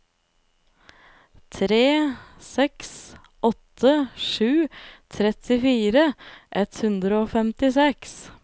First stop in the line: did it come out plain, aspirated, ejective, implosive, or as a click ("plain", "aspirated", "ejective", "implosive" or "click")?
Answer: aspirated